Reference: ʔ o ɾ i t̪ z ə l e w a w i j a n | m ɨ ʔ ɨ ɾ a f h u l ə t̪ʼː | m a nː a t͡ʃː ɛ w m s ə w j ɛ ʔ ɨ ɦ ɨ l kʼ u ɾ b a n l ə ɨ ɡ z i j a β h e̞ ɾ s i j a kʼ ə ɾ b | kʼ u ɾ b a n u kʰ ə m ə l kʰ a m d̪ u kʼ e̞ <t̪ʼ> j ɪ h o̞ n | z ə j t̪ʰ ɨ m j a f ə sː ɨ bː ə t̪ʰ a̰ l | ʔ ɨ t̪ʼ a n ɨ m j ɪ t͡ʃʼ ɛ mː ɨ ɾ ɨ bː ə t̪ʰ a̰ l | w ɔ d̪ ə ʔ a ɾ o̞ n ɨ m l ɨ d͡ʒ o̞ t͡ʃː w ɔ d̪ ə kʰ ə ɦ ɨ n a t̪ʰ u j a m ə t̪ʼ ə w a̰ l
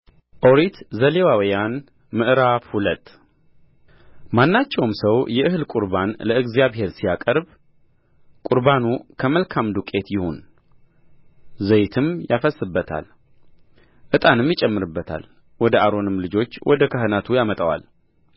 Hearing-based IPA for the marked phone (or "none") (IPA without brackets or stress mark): t̪